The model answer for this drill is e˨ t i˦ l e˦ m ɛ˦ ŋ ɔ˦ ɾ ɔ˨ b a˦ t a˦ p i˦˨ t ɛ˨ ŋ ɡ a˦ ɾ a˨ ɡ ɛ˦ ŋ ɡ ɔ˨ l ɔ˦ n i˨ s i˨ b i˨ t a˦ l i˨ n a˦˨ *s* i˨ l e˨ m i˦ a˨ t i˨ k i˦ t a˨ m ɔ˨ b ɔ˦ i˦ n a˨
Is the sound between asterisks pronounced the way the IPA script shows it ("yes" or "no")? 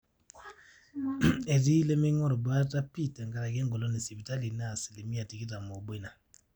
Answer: yes